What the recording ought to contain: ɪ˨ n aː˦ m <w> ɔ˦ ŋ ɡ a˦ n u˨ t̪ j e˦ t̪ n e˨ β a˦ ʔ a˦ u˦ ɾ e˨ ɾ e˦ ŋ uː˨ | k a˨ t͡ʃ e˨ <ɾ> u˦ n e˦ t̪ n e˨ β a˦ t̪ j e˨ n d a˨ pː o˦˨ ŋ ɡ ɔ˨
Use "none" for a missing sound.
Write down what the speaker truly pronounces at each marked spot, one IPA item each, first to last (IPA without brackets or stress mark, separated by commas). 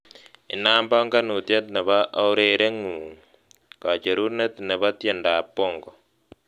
b, ɾ